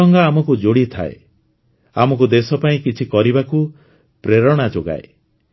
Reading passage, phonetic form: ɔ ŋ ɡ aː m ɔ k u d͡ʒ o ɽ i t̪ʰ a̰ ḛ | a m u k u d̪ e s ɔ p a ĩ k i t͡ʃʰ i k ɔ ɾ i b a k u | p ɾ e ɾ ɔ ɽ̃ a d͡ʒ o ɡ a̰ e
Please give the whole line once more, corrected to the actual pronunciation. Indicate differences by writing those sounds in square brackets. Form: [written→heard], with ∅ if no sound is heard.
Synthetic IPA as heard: ɔ ŋ ɡ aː m ɔ k u d͡ʒ o ɽ i t̪ʰ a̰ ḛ | a m [u→ɔ] k u d̪ e s ɔ p a ĩ k i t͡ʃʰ i k ɔ ɾ i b a k u | p ɾ e ɾ ɔ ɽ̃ a d͡ʒ o ɡ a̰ e